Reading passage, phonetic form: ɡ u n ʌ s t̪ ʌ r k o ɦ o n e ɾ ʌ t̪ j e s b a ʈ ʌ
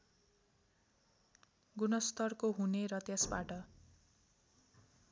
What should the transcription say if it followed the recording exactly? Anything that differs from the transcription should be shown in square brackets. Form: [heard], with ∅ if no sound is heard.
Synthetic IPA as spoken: ɡ u n ʌ s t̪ ʌ r k o ɦ [u] n e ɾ ʌ t̪ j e s b a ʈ ʌ